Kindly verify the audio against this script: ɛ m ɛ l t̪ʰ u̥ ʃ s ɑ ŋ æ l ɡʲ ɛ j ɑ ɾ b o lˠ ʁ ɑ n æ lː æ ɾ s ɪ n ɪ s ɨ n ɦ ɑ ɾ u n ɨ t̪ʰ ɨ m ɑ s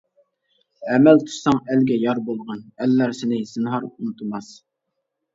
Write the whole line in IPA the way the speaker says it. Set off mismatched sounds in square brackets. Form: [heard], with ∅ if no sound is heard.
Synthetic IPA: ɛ m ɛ l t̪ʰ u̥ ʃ s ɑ ŋ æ l ɡʲ ɛ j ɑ ɾ b o lˠ ʁ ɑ n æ lː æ ɾ s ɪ n ɪ s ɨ n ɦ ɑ ɾ u n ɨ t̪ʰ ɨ m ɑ s